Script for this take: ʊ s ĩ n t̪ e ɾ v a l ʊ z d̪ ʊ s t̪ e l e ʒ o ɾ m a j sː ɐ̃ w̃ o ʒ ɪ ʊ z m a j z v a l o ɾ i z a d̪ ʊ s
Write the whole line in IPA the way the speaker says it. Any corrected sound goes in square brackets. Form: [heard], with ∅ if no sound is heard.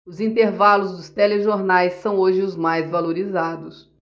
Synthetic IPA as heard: ʊ [z] ĩ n t̪ e ɾ v a l ʊ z d̪ ʊ s t̪ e l e ʒ o ɾ [n] a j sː ɐ̃ w̃ o ʒ ɪ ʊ z m a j z v a l o ɾ i z a d̪ ʊ s

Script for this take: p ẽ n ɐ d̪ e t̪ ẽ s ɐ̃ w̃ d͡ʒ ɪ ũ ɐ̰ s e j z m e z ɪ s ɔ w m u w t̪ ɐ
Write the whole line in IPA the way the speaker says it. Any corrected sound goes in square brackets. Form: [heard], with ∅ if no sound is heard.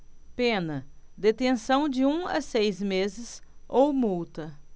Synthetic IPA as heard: p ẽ n ɐ d̪ e t̪ ẽ s ɐ̃ w̃ d͡ʒ ɪ ũ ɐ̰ s e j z m e z ɪ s [o] w m u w t̪ ɐ

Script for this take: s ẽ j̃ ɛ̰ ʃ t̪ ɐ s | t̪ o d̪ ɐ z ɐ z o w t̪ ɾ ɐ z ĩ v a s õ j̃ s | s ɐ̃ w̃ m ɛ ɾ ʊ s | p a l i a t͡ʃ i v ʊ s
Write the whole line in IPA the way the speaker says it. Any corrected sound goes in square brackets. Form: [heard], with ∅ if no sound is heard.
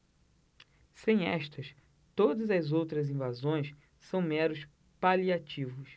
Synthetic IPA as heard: s ẽ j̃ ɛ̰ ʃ t̪ ɐ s | t̪ o d̪ ɐ z ɐ z o w t̪ ɾ ɐ z ĩ v a [z] õ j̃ s | s ɐ̃ w̃ m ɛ ɾ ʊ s | p a l i a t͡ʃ i v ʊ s

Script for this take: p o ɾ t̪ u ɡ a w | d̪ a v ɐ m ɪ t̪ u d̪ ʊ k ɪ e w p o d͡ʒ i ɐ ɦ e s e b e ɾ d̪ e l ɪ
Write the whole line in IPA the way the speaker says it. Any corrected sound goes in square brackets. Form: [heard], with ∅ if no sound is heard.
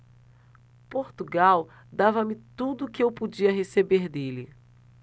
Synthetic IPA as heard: p o ɾ t̪ u ɡ a w | d̪ a v ɐ m ɪ t̪ u d̪ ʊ k ɪ e w p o d͡ʒ i ɐ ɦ e s e b e ɾ d̪ e l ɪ

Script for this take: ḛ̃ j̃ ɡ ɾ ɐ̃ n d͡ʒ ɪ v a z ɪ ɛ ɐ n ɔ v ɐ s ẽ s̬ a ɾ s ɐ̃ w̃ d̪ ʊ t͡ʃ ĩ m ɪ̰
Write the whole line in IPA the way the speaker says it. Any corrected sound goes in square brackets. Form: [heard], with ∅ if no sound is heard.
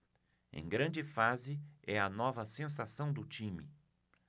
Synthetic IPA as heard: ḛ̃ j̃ ɡ ɾ ɐ̃ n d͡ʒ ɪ [f] a z ɪ ɛ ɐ n ɔ v ɐ s ẽ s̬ a [∅] s ɐ̃ w̃ d̪ ʊ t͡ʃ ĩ m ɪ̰

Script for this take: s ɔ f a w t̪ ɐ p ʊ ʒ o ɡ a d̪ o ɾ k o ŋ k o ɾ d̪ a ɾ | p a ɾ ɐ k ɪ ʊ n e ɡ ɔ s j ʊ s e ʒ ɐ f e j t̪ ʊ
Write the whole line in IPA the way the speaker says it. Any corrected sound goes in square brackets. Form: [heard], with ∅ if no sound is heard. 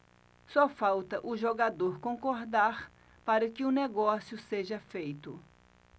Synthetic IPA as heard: s ɔ f a w t̪ ɐ [ʔ] ʊ ʒ o ɡ a d̪ o ɾ k [õ] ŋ k o ɾ d̪ a ɾ | p a ɾ ɐ k ɪ ʊ n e ɡ ɔ s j ʊ s e ʒ ɐ f e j t̪ ʊ

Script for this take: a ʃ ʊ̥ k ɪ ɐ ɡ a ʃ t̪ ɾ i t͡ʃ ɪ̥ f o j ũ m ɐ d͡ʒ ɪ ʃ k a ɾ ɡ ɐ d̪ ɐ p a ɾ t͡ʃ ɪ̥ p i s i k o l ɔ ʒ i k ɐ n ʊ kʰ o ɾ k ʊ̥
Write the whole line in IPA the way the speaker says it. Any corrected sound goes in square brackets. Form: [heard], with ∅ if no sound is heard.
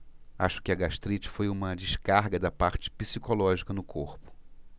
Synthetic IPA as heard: a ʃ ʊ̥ k ɪ ɐ ɡ a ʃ t̪ ɾ i t͡ʃ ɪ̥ f o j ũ m ɐ d͡ʒ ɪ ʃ k a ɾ ɡ ɐ d̪ ɐ p a ɾ t͡ʃ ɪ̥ p i s i k o l ɔ ʒ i k ɐ n ʊ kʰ o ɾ [p] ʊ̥

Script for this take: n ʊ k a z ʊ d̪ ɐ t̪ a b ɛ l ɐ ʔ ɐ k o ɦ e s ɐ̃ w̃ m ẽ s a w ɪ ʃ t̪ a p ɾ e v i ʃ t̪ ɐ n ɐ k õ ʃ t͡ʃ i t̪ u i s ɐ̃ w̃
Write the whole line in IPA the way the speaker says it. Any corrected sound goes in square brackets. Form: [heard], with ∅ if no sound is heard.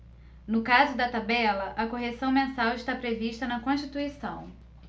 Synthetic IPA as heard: n ʊ k a z ʊ d̪ ɐ t̪ a b ɛ l ɐ ʔ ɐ k o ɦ e s ɐ̃ w̃ m ẽ s a w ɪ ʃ t̪ a p ɾ e v i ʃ t̪ ɐ n ɐ k õ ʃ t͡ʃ i t̪ u i s ɐ̃ w̃

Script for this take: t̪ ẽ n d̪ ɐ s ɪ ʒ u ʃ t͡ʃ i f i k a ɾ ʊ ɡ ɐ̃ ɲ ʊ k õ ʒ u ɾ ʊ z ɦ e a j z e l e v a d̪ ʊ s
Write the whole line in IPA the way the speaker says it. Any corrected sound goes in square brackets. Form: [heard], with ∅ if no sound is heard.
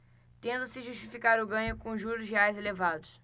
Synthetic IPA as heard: t̪ ẽ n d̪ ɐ s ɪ ʒ u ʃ t͡ʃ i f i k a ɾ ʊ ɡ ɐ̃ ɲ ʊ k õ ʒ u ɾ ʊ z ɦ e a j z e l e v a d̪ ʊ s

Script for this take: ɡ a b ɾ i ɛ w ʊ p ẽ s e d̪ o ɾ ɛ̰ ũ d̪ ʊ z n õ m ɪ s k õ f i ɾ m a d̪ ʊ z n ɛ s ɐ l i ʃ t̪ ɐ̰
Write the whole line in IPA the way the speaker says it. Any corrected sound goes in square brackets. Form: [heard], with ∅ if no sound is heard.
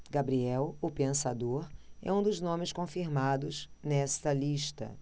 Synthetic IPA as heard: ɡ a b ɾ i ɛ w ʊ p ẽ s [a] d̪ o ɾ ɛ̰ ũ d̪ ʊ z n õ m ɪ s k õ f i ɾ m a d̪ ʊ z n ɛ s ɐ l i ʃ t̪ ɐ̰

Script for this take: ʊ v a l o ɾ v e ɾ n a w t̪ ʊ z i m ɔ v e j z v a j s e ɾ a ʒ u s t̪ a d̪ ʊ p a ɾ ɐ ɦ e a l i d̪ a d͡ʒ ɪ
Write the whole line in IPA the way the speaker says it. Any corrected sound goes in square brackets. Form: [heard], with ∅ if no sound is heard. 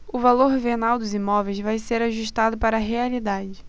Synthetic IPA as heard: ʊ v a l o ɾ v e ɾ n a w [d̪] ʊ z i m ɔ v e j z v a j s e ɾ a ʒ u [ʃ] t̪ a d̪ ʊ p a ɾ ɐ ɦ e a l i d̪ a d͡ʒ ɪ

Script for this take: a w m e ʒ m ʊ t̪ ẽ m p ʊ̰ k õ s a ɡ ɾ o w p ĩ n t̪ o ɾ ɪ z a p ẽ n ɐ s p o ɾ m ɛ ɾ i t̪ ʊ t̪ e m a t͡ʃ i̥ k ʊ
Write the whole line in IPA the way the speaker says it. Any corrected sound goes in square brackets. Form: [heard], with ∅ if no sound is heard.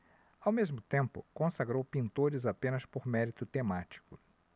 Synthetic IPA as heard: a w m e [z] m ʊ t̪ ẽ m p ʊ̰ k õ s a ɡ ɾ o w p ĩ n t̪ o ɾ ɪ z a p ẽ n ɐ s p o ɾ m ɛ ɾ i t̪ ʊ t̪ e m a t͡ʃ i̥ k ʊ

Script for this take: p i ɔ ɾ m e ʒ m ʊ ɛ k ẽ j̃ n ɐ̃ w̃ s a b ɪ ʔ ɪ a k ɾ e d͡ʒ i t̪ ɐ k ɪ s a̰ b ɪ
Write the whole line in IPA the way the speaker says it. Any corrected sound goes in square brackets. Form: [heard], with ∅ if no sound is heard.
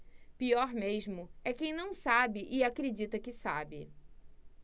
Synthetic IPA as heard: p i ɔ ɾ m e ʒ m ʊ ɛ k ẽ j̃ n ɐ̃ w̃ s a b ɪ ʔ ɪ a k ɾ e d͡ʒ i t̪ ɐ k ɪ s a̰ b ɪ

